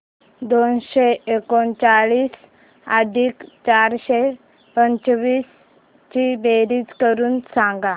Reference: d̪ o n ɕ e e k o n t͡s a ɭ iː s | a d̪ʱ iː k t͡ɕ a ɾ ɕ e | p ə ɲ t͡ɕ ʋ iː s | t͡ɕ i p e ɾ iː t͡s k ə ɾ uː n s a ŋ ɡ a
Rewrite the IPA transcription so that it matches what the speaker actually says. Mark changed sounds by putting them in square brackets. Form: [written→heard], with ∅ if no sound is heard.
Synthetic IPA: d̪ o n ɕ e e k o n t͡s a ɭ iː s | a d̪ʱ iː k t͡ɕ a ɾ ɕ e | p ə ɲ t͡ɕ ʋ iː s | t͡ɕ i [p→b] e ɾ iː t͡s k ə ɾ uː n s a ŋ ɡ a

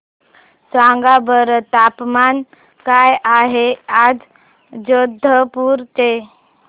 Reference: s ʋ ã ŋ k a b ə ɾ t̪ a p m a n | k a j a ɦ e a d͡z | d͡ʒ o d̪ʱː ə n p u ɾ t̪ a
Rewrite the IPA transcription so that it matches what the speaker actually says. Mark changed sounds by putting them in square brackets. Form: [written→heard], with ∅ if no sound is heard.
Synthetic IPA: s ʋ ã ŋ [k→ɡ] a b ə ɾ t̪ a p m a n | k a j a ɦ e a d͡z | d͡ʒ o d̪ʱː ə [n→∅] p u ɾ t̪ [a→e]

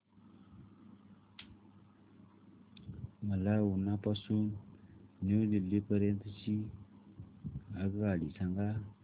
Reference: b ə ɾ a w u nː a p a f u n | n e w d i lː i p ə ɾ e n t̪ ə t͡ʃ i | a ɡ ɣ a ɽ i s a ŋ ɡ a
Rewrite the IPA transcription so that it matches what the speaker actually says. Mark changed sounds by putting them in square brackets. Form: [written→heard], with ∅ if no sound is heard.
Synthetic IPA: [b→m] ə [ɾ→l] a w u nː a p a [f→s] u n | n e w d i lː i p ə ɾ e n t̪ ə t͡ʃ i | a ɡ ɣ a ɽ i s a ŋ ɡ a

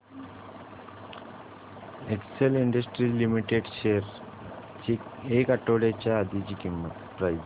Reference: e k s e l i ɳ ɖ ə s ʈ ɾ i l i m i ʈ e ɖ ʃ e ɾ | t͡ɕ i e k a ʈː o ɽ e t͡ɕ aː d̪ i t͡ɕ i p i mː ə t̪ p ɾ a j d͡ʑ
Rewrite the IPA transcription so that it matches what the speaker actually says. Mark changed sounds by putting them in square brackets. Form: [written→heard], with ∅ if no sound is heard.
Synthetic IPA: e k s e l i ɳ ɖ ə s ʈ ɾ i l i m i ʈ e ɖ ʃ e ɾ | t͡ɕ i e k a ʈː o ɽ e t͡ɕ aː d̪ i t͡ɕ i [p→k] i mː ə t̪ p ɾ a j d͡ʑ

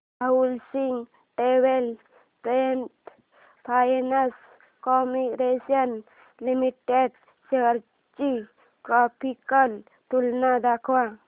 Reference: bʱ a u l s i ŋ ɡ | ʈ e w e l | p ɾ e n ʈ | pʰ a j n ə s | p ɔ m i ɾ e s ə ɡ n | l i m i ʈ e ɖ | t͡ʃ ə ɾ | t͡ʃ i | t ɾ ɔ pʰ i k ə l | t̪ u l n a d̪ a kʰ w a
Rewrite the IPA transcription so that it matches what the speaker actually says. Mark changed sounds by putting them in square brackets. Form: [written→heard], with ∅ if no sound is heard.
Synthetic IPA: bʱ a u l s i ŋ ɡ | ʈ e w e l | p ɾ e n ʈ | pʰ a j n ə s | [p→k] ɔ m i ɾ e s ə [ɡ→∅] n | l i m i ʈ e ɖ | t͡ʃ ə ɾ | t͡ʃ i | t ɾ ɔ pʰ i k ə l | t̪ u l n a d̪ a kʰ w a

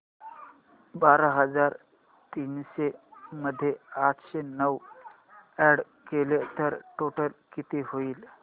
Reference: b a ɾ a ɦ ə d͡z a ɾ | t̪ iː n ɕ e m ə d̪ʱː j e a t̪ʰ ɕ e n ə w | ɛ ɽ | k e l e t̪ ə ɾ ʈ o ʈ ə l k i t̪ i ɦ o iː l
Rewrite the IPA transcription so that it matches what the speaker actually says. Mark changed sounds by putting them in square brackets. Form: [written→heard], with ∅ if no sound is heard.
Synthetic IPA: b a ɾ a ɦ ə d͡z a ɾ | t̪ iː n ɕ e m ə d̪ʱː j e a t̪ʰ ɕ e n ə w | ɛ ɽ | k e l e t̪ ə ɾ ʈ o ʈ ə l k i t̪ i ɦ o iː l

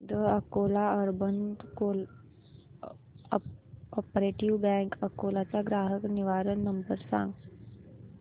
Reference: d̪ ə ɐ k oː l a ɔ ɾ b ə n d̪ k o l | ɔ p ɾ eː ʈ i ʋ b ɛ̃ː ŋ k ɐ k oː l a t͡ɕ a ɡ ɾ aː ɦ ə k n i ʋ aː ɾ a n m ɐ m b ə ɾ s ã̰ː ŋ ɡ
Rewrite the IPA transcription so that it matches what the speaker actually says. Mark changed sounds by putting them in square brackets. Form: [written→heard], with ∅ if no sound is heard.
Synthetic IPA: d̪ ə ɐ k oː l a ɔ ɾ b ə n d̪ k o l | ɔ p ɾ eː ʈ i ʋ b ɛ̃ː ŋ k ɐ k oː l a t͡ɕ a ɡ ɾ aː ɦ ə k n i ʋ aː ɾ [a→ə] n [m→n] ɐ m b ə ɾ s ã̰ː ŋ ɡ

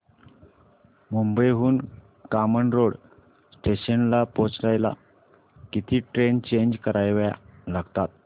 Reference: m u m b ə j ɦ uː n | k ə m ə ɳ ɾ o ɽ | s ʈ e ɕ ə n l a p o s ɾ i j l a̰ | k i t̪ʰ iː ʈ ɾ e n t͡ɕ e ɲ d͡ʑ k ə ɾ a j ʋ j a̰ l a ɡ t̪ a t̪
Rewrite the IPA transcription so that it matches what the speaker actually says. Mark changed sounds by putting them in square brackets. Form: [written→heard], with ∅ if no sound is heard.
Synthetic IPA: m u m b ə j ɦ uː n | k [ə→a] m ə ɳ ɾ o ɽ | s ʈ e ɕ ə n l a p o [s→t͡s] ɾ [i→a] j l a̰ | k i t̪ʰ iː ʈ ɾ e n t͡ɕ e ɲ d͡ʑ k ə ɾ a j ʋ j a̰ l a ɡ t̪ a t̪

